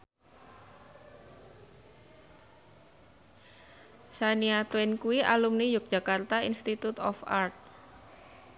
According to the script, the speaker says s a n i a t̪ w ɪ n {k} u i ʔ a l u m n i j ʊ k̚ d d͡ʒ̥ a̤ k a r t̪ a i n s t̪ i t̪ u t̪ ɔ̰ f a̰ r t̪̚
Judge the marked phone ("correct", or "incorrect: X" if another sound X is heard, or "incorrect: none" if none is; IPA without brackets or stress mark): correct